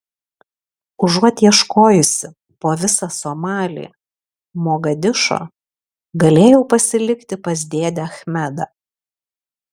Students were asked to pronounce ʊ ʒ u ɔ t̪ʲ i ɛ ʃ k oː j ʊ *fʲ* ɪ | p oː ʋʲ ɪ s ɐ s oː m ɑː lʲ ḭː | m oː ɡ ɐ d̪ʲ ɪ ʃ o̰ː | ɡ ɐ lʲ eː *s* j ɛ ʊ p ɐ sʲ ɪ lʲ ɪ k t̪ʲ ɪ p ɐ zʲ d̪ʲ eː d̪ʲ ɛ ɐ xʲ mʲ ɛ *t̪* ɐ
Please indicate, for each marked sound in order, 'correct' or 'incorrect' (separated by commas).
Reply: incorrect, incorrect, incorrect